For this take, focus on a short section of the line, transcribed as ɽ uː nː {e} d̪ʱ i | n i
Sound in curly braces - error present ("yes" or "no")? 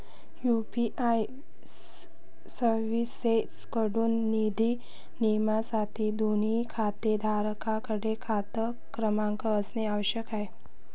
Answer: yes